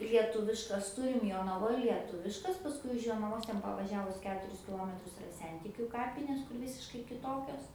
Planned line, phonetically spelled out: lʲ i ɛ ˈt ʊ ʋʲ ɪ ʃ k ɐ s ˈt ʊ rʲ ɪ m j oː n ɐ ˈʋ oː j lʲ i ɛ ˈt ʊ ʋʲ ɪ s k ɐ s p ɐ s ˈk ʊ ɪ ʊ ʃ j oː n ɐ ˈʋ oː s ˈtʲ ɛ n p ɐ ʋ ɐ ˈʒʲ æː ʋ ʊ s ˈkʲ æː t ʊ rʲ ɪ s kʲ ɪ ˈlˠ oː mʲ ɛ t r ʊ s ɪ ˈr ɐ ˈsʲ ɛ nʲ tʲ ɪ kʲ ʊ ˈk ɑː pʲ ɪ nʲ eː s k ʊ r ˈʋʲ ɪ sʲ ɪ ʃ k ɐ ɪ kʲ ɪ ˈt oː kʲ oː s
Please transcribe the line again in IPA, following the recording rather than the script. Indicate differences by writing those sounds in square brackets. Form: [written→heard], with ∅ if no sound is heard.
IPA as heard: lʲ i ɛ ˈt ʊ ʋʲ ɪ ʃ k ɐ s ˈt ʊ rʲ ɪ m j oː n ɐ ˈʋ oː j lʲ i ɛ ˈt ʊ ʋʲ ɪ [s→ʃ] k ɐ s p ɐ s ˈk ʊ ɪ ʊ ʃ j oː n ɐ ˈʋ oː s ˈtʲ ɛ n p ɐ ʋ ɐ ˈʒʲ æː ʋ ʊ s ˈkʲ æː t ʊ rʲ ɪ s kʲ ɪ ˈlˠ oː mʲ ɛ t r ʊ s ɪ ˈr ɐ ˈsʲ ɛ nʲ tʲ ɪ kʲ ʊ ˈk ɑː pʲ ɪ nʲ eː s k ʊ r ˈʋʲ ɪ sʲ ɪ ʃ k ɐ ɪ kʲ ɪ ˈt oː kʲ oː s

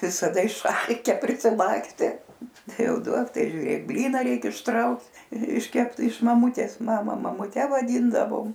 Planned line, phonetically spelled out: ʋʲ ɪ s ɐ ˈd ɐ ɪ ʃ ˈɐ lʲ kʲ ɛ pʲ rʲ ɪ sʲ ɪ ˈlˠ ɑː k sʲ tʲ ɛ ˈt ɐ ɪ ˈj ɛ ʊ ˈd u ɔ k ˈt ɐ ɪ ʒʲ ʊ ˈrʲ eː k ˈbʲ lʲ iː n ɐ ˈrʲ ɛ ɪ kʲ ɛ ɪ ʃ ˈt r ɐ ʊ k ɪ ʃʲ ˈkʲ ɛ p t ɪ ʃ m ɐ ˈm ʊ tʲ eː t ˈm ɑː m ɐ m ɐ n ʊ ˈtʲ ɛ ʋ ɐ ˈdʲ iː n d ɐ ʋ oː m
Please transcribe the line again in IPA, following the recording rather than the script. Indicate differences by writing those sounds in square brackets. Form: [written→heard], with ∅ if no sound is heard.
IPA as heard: ʋʲ ɪ s ɐ ˈd ɐ ɪ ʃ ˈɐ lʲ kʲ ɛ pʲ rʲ ɪ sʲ ɪ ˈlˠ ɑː k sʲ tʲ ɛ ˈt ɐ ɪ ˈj ɛ ʊ ˈd u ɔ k ˈt ɐ ɪ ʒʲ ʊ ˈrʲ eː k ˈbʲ lʲ iː n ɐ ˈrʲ ɛ ɪ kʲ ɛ ɪ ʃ ˈt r ɐ ʊ k ɪ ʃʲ ˈkʲ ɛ p t ɪ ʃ m ɐ ˈm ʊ tʲ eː [t→s] ˈm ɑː m ɐ m ɐ [n→m] ʊ ˈtʲ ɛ ʋ ɐ ˈdʲ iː n d ɐ ʋ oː m

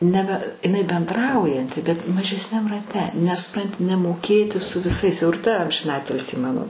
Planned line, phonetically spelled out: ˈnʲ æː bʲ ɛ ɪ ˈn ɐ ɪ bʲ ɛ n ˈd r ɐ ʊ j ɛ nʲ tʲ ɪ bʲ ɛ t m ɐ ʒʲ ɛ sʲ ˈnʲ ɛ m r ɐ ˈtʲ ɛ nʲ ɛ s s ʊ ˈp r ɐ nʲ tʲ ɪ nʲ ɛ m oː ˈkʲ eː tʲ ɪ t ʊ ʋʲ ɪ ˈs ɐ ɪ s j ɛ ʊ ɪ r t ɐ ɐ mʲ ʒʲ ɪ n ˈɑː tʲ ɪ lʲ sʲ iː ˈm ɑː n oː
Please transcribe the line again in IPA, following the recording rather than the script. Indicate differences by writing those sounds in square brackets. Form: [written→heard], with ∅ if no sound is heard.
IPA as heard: ˈnʲ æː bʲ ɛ ɪ ˈn ɐ ɪ bʲ ɛ n ˈd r ɐ ʊ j ɛ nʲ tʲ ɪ bʲ ɛ t m ɐ ʒʲ ɛ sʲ ˈnʲ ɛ m r ɐ ˈtʲ ɛ nʲ ɛ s s ʊ ˈp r ɐ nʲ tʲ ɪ nʲ ɛ m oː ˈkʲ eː tʲ ɪ [t→s] ʊ ʋʲ ɪ ˈs ɐ ɪ s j ɛ ʊ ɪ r t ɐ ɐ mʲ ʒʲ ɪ n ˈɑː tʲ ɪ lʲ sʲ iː ˈm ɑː n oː

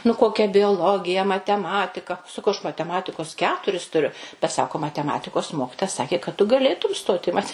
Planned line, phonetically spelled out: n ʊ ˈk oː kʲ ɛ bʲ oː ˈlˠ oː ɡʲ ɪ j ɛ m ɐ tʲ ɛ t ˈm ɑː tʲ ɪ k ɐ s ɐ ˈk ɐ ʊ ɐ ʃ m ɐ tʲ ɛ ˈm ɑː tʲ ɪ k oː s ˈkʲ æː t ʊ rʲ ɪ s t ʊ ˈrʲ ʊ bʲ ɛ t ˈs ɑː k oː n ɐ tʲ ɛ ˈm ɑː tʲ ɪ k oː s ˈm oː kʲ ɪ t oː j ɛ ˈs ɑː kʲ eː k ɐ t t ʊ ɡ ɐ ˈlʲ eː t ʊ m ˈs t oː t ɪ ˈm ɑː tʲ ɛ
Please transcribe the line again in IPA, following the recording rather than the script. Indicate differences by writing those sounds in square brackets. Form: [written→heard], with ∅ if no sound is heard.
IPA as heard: n ʊ ˈk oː kʲ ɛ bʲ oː ˈlˠ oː ɡʲ ɪ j ɛ m ɐ tʲ ɛ [t→∅] ˈm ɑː tʲ ɪ k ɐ s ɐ ˈk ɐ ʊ ɐ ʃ m ɐ tʲ ɛ ˈm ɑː tʲ ɪ k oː s ˈkʲ æː t ʊ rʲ ɪ s t ʊ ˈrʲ ʊ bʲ ɛ t ˈs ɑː k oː [n→m] ɐ tʲ ɛ ˈm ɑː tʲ ɪ k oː s ˈm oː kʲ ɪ t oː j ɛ ˈs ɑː kʲ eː k ɐ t t ʊ ɡ ɐ ˈlʲ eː t ʊ m ˈs t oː t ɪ ˈm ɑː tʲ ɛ

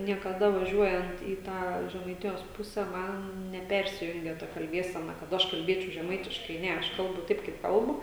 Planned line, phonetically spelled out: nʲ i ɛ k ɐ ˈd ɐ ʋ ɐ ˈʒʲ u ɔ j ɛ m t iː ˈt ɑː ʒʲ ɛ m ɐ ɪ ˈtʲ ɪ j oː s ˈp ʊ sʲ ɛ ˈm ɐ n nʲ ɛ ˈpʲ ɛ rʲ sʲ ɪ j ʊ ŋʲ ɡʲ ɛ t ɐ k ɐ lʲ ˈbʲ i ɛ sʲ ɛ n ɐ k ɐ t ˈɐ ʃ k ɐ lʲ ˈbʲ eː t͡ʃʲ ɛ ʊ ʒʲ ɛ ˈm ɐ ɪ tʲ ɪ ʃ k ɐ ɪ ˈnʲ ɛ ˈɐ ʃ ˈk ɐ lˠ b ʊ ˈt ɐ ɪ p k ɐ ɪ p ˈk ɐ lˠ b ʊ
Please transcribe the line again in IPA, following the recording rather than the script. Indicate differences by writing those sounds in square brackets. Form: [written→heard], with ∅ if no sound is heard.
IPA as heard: nʲ i ɛ k ɐ ˈd ɐ ʋ ɐ ˈʒʲ u ɔ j ɛ [m→n] t iː ˈt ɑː ʒʲ ɛ m ɐ ɪ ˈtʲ ɪ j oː s ˈp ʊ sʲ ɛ ˈm ɐ n nʲ ɛ ˈpʲ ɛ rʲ sʲ ɪ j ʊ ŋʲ ɡʲ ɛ t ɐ k ɐ lʲ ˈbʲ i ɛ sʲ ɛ n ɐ k ɐ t ˈɐ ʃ k ɐ lʲ ˈbʲ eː t͡ʃʲ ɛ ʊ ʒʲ ɛ ˈm ɐ ɪ tʲ ɪ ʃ k ɐ ɪ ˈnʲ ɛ ˈɐ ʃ ˈk ɐ lˠ b ʊ ˈt ɐ ɪ p k ɐ ɪ p ˈk ɐ lˠ b ʊ

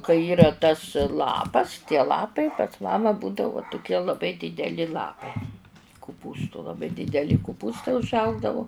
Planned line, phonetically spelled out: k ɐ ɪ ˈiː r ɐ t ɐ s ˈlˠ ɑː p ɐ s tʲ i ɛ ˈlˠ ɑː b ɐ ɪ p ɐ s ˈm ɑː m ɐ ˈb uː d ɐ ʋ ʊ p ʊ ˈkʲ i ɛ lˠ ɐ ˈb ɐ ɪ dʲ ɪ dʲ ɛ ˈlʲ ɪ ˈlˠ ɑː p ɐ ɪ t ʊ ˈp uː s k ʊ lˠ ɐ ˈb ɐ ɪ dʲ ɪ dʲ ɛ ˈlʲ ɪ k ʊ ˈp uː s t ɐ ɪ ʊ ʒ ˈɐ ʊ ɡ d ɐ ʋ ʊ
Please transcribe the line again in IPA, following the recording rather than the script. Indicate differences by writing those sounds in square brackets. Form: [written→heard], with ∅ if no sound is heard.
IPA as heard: k ɐ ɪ ˈiː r ɐ t ɐ s ˈlˠ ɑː p ɐ s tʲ i ɛ ˈlˠ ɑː [b→p] ɐ ɪ p ɐ s ˈm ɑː m ɐ ˈb uː d ɐ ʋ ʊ [p→t] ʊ ˈkʲ i ɛ lˠ ɐ ˈb ɐ ɪ dʲ ɪ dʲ ɛ ˈlʲ ɪ ˈlˠ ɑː p ɐ ɪ [t→k] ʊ ˈp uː s [k→t] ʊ lˠ ɐ ˈb ɐ ɪ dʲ ɪ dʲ ɛ ˈlʲ ɪ k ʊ ˈp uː s t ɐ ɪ ʊ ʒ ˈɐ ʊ ɡ d ɐ ʋ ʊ

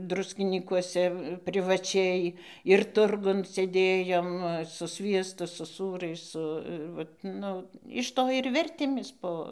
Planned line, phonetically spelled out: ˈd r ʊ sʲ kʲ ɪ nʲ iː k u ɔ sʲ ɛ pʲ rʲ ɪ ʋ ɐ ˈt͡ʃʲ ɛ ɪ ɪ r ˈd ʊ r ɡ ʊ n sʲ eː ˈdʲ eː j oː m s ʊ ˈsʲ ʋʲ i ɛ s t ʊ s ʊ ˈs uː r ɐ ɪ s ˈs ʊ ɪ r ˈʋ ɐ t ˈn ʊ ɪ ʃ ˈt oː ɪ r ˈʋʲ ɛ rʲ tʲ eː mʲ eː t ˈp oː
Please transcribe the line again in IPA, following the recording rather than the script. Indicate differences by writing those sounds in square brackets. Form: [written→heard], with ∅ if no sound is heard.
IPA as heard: ˈd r ʊ sʲ kʲ ɪ nʲ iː k u ɔ sʲ ɛ pʲ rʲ ɪ ʋ ɐ ˈt͡ʃʲ ɛ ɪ ɪ r [ˈd→ˈt] ʊ r ɡ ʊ n sʲ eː ˈdʲ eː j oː m s ʊ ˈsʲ ʋʲ i ɛ s t ʊ s ʊ ˈs uː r ɐ ɪ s ˈs ʊ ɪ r ˈʋ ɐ t ˈn ʊ ɪ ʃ ˈt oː ɪ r ˈʋʲ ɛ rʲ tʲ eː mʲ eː [t→s] ˈp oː

